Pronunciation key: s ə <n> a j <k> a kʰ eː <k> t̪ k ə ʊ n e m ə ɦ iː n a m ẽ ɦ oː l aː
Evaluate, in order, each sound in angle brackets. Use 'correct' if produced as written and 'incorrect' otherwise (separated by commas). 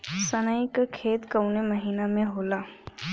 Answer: correct, correct, incorrect